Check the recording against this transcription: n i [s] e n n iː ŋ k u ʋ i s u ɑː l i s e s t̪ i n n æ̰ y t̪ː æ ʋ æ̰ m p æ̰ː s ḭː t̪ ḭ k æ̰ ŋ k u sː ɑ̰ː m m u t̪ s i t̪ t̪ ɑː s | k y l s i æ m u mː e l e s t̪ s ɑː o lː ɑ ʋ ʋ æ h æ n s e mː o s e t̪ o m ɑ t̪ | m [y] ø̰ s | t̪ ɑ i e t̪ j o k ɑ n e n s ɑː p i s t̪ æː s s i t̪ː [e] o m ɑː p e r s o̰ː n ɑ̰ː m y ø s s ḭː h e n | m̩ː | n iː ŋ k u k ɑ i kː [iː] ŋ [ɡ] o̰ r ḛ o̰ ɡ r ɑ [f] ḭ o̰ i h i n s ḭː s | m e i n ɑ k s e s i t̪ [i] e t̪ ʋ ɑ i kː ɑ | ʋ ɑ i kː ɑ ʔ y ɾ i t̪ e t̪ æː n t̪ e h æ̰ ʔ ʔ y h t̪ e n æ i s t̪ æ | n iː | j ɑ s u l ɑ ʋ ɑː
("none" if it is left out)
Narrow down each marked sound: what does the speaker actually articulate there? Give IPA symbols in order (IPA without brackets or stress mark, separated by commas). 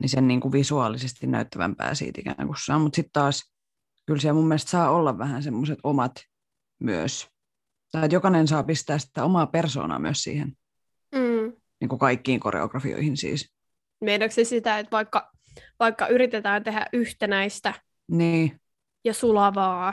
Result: s, y, æ, iː, k, f, æ